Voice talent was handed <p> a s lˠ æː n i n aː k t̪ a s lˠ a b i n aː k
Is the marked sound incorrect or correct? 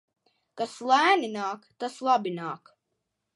incorrect